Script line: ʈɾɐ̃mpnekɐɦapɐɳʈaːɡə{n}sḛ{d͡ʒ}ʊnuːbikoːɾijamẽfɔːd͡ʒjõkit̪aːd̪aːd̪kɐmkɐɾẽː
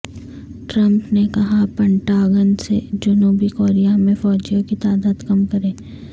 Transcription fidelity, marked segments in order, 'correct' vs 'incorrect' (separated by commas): correct, correct